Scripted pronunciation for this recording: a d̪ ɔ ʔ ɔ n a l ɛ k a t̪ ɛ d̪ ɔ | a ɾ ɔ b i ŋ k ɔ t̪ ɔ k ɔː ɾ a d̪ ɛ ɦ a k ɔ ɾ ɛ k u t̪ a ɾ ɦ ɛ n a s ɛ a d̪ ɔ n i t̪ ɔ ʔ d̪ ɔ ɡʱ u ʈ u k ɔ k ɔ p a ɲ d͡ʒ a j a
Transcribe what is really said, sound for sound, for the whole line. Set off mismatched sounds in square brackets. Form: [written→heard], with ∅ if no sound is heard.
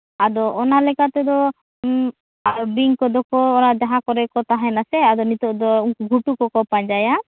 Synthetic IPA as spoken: a d̪ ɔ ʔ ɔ n a l ɛ k a t̪ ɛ d̪ ɔ | a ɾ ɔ b i ŋ k ɔ [t̪→d̪] ɔ k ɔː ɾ a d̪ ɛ ɦ a k ɔ ɾ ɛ k [u→ɔ] t̪ a [ɾ→∅] ɦ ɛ n a s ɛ a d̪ ɔ n i t̪ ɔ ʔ d̪ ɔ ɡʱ u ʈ u k ɔ k ɔ p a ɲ d͡ʒ a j a